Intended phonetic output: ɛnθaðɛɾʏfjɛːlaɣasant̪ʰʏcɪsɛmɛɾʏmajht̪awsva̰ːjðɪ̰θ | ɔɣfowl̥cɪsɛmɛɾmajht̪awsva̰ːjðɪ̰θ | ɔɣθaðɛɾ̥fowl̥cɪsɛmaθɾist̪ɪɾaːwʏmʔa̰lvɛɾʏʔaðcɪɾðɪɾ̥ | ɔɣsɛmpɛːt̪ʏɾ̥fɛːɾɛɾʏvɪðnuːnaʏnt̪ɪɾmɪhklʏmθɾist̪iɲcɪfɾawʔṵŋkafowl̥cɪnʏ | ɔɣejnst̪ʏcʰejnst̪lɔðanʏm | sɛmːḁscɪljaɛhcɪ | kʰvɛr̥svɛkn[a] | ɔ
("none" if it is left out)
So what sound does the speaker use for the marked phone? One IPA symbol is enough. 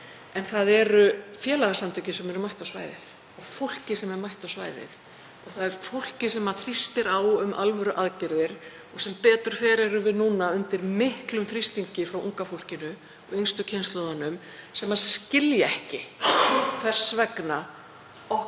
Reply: a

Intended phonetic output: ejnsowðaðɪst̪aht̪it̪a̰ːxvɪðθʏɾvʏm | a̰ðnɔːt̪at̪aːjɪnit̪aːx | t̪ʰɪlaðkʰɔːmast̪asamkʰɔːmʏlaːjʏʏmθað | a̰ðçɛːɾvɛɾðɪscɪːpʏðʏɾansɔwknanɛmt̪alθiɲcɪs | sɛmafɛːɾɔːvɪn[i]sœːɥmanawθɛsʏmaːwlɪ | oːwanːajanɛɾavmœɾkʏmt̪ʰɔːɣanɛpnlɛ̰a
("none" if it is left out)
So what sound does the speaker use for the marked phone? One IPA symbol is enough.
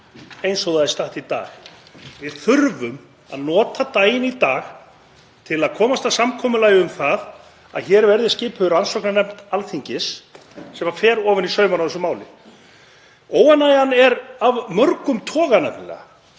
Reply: i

